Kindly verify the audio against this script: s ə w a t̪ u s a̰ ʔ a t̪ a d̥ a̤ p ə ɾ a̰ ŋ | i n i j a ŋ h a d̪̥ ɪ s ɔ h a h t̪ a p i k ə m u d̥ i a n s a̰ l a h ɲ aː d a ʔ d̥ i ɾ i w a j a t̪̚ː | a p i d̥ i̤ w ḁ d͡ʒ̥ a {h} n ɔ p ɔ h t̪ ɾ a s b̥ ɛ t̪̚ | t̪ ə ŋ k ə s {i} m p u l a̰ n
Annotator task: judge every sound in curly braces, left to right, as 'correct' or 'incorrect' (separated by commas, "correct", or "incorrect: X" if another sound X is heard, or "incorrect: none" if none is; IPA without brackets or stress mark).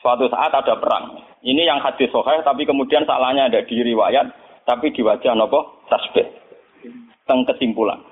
correct, correct